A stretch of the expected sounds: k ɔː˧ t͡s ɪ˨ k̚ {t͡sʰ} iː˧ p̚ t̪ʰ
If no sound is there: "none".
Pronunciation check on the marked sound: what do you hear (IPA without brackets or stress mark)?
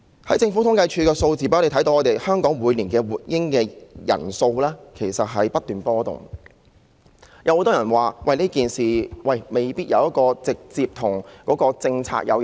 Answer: t͡s